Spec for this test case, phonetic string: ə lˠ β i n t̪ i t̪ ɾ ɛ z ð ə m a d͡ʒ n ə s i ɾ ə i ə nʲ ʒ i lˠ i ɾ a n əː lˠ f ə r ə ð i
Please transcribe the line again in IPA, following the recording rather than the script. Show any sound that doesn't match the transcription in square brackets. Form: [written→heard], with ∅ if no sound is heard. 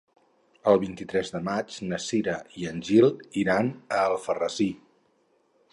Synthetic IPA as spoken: ə lˠ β i n t̪ i t̪ ɾ ɛ z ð ə m a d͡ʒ n ə s i ɾ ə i ə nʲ ʒ i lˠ i ɾ a n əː lˠ f ə r ə [ð→z] i

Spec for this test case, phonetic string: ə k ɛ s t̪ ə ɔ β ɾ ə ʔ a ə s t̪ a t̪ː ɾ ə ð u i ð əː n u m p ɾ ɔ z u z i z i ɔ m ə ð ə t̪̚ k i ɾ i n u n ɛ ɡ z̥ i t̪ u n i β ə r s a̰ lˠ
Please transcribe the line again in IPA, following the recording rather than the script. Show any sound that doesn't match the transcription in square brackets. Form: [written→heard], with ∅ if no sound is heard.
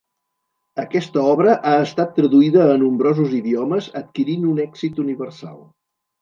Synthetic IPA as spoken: ə k ɛ s t̪ ə ɔ β ɾ ə ʔ a ə s t̪ a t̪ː ɾ ə ð u i ð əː n u m [p→b] ɾ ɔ z u z i [z→ð] i ɔ m ə [ð→z] ə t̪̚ k i ɾ i n u n ɛ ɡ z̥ i t̪ u n i β ə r s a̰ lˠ

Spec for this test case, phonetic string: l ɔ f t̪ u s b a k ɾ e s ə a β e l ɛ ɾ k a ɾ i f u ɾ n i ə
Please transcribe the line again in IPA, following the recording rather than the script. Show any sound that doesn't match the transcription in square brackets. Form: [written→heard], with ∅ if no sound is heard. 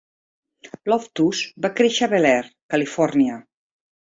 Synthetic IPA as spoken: l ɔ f t̪ u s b a k ɾ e [s→ʃ] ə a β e l ɛ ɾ k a [ɾ→l] i f [u→ɔ] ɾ n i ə

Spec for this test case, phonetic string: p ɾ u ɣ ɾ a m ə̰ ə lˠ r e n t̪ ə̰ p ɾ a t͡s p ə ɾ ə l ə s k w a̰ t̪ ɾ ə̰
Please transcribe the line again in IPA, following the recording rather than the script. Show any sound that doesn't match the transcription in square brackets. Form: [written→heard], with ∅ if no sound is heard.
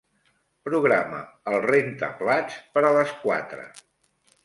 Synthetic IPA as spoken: p ɾ u ɣ ɾ a m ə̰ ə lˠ r e n t̪ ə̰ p [ɾ→l] a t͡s p ə ɾ ə l ə s k w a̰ t̪ ɾ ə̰

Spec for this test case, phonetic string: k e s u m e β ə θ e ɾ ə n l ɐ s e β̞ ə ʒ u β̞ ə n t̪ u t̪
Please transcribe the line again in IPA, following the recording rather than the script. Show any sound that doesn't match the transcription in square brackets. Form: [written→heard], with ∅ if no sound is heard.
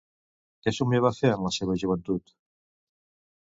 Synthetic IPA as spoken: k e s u m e β [ə→a] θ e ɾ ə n l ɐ s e β̞ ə ʒ u β̞ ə n t̪ u t̪

